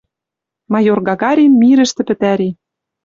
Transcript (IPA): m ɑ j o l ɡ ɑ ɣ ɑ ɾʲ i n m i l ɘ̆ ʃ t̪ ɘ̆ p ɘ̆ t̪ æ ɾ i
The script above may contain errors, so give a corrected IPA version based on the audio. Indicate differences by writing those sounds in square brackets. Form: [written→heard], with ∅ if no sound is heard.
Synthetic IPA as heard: m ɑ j o [l→r] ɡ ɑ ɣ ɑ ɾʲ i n m i [l→ɾ] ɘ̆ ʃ t̪ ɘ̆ p ɘ̆ t̪ æ ɾ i